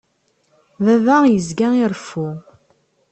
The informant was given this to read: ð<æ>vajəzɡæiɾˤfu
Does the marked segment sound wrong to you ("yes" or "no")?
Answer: no